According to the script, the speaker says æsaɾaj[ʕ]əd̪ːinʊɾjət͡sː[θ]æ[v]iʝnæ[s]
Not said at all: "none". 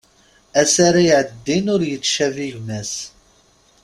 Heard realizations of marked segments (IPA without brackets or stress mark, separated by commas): ʕ, ʃ, v, s